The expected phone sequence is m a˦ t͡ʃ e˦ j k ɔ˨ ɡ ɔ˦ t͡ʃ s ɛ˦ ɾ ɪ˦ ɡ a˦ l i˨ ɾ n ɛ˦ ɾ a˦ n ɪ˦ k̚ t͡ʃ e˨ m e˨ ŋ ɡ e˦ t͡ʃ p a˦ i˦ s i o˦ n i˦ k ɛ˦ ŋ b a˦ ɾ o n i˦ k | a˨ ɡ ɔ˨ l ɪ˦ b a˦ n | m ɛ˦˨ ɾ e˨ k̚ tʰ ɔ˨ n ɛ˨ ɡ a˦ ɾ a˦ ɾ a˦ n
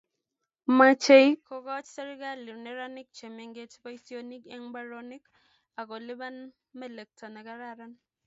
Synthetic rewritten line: m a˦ t͡ʃ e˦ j k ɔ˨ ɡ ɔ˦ t͡ʃ s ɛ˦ ɾ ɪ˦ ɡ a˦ l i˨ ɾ n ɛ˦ ɾ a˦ n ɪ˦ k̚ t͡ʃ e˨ m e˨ ŋ ɡ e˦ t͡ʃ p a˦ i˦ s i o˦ n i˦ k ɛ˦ ŋ b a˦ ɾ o n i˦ k | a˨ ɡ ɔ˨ l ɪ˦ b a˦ n | m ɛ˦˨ l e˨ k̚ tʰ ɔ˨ n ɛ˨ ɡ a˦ ɾ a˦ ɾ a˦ n